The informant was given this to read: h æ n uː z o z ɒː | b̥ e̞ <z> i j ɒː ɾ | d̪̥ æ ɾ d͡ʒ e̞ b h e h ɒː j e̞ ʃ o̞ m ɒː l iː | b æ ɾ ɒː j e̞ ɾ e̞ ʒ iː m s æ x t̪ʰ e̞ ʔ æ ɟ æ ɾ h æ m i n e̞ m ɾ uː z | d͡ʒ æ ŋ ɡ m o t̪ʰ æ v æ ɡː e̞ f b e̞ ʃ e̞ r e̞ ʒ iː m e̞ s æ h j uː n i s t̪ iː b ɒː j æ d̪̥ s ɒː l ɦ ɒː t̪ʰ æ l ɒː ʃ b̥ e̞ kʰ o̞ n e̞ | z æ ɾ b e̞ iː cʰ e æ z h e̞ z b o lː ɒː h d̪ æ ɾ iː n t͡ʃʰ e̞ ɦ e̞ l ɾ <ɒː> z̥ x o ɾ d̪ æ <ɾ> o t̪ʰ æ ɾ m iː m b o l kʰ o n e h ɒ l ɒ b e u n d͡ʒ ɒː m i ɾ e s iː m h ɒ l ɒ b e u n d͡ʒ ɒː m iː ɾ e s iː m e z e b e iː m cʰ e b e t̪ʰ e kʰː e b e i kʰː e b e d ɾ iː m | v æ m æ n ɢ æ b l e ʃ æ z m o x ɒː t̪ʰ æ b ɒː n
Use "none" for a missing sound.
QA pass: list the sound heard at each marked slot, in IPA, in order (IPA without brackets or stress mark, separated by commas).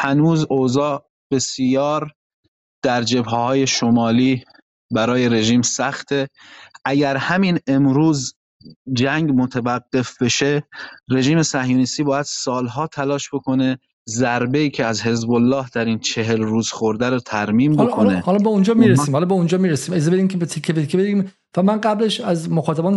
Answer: s, uː, ɾ